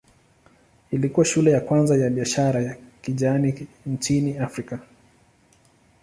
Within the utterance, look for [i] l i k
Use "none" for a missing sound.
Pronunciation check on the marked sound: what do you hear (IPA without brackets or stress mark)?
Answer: i